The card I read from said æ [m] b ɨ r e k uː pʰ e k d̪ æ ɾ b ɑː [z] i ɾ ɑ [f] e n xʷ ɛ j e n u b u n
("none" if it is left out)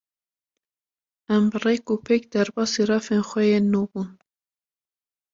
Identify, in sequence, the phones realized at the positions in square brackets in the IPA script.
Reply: m, s, f

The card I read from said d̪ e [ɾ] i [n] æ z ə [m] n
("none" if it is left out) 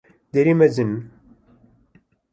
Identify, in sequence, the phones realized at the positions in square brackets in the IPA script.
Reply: ɾ, m, none

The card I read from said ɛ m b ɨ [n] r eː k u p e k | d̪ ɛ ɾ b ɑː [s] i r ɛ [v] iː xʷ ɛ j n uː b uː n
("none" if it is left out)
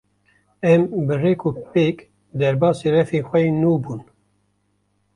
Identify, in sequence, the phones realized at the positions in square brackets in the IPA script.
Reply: none, s, f

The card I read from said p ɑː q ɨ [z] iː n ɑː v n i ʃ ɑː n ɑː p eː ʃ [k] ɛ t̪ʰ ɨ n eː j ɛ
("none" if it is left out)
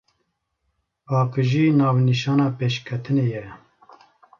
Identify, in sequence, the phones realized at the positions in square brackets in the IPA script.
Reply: ʒ, kʰ

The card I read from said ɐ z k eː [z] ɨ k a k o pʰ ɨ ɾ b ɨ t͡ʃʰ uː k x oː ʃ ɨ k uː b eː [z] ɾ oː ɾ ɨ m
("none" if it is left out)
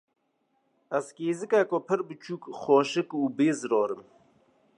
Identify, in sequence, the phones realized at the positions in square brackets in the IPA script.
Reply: z, z

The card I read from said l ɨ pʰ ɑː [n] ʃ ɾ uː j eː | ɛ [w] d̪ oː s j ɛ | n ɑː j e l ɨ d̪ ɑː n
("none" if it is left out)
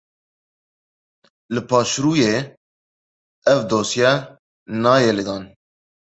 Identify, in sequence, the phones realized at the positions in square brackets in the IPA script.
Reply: none, v

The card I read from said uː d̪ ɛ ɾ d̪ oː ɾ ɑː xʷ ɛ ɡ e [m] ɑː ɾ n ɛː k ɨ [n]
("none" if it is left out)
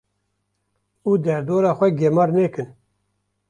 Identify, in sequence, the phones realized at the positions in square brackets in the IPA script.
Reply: m, n

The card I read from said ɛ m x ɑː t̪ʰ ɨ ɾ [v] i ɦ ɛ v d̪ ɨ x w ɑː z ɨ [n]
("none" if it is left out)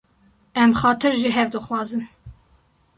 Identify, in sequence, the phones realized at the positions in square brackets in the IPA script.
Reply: ʒ, n

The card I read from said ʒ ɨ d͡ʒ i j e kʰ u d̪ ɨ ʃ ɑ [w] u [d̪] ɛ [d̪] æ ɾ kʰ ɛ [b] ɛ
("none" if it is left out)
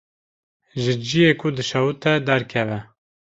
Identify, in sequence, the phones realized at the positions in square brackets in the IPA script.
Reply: w, t̪, d̪, v

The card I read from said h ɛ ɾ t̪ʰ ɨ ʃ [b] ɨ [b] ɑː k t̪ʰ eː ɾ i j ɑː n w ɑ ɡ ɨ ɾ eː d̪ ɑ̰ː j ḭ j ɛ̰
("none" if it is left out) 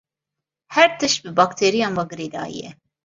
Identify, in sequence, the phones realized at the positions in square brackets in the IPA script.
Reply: b, b

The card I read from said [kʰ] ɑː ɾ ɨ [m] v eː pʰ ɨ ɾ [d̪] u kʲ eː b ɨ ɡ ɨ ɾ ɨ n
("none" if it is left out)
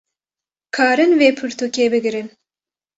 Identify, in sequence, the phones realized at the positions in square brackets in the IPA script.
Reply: kʰ, n, t̪

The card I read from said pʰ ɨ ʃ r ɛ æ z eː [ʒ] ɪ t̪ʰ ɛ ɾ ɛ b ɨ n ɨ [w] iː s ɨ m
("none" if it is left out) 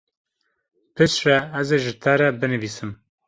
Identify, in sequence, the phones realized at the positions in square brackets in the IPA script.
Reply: ʒ, v

